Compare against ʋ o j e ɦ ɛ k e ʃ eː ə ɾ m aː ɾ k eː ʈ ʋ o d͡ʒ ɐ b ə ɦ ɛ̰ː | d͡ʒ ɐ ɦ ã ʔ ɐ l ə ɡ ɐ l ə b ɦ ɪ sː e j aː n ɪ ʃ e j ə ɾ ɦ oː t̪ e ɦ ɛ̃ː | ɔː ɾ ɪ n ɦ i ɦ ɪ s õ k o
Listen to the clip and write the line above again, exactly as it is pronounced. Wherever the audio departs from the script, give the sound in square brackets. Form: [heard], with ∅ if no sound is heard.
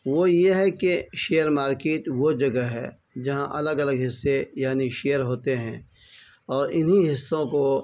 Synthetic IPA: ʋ o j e ɦ ɛ k e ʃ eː ə ɾ m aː ɾ k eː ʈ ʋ o d͡ʒ ɐ [ɡ] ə ɦ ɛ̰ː | d͡ʒ ɐ ɦ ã ʔ ɐ l ə ɡ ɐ l ə [ɡ] ɦ ɪ sː e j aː n [i] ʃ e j ə ɾ ɦ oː t̪ e ɦ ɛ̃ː | ɔː ɾ ɪ n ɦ i ɦ ɪ [sː] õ k o